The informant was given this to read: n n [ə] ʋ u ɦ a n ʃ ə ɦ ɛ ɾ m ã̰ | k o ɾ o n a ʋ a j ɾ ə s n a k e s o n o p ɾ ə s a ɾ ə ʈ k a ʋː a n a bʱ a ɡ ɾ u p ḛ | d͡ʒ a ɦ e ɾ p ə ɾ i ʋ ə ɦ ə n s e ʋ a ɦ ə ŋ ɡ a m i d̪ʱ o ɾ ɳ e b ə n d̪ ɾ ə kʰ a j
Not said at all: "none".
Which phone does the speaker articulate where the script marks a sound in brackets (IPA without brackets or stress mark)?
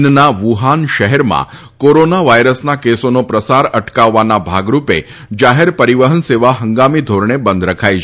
a